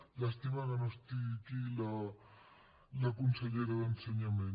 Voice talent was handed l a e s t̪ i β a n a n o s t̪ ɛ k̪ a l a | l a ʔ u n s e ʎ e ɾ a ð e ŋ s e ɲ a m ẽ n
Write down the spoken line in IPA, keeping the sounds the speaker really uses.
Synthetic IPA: l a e s t̪ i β a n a n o s t̪ i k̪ i l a | l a k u n s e ʎ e ɾ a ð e n s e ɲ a m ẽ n